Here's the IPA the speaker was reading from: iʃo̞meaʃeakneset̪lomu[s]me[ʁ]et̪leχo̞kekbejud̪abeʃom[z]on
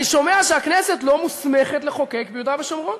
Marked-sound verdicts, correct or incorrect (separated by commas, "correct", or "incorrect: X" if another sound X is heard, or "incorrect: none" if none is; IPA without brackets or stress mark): correct, incorrect: χ, incorrect: ʁ